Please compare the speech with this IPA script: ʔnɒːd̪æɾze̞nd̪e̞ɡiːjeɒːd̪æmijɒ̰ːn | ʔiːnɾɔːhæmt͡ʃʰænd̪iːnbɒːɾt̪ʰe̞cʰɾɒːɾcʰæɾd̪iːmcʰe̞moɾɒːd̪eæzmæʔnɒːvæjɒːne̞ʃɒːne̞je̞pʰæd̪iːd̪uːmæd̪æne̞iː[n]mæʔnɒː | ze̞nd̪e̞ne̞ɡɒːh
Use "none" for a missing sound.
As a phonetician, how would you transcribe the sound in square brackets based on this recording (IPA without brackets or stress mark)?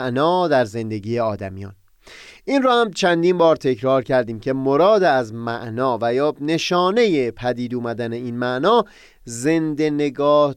n